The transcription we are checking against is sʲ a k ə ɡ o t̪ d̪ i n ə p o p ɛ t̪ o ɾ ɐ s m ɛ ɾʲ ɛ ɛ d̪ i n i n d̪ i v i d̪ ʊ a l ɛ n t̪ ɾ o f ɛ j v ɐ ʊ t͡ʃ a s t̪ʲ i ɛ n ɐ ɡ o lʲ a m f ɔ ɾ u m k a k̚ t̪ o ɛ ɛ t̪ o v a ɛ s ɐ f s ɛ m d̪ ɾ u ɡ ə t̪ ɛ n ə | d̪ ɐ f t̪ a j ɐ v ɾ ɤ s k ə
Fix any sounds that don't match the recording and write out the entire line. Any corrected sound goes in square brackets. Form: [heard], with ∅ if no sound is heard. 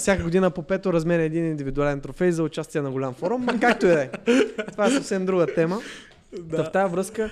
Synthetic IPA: sʲ a k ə ɡ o [∅] d̪ i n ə p o p ɛ t̪ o ɾ ɐ [z] m ɛ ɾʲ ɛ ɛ d̪ i n i n d̪ i v i d̪ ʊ a l ɛ n t̪ ɾ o f ɛ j [z] ɐ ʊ t͡ʃ a s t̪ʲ i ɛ n ɐ ɡ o lʲ a m f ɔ ɾ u m k a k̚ t̪ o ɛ ɛ t̪ o v a ɛ s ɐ f s ɛ m d̪ ɾ u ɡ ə t̪ ɛ [m] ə | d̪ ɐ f t̪ a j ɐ v ɾ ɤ s k ə